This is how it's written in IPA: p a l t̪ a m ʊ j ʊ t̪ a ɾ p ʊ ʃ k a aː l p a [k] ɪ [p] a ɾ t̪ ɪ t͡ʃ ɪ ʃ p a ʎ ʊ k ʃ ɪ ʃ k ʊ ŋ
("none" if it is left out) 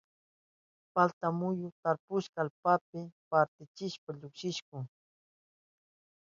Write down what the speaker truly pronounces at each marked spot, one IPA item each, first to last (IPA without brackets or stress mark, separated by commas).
p, p